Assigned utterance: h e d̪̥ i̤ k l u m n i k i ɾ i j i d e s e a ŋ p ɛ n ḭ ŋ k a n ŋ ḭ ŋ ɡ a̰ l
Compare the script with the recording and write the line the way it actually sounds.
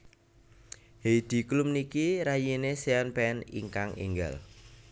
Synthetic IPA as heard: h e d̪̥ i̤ k l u m n i k i ɾ a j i n e s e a n p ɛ n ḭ ŋ k a ŋ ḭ ŋ ɡ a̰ l